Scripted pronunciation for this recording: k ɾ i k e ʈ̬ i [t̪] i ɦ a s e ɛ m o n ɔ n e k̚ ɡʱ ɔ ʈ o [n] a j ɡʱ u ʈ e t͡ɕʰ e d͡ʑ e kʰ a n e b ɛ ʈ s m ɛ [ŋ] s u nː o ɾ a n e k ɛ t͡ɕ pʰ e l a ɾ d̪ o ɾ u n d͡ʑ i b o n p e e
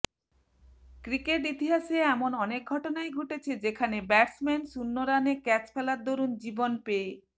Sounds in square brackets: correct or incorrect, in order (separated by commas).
correct, correct, incorrect